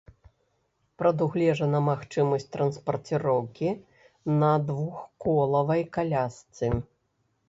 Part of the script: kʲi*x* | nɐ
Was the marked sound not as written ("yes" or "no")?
yes